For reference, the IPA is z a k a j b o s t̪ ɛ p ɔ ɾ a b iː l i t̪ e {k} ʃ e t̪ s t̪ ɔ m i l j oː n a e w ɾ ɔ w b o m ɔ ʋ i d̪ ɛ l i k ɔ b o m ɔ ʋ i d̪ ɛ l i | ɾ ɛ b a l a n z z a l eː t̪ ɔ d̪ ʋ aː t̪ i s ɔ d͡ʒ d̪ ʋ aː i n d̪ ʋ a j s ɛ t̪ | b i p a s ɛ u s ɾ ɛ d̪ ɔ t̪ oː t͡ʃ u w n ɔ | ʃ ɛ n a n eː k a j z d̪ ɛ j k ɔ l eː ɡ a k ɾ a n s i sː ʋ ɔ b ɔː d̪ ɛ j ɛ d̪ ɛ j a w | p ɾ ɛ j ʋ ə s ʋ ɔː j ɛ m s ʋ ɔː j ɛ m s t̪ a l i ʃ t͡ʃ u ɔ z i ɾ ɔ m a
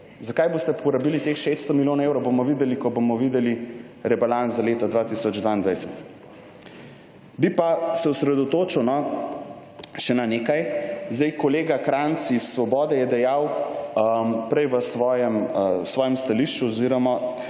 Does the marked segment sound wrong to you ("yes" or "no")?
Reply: yes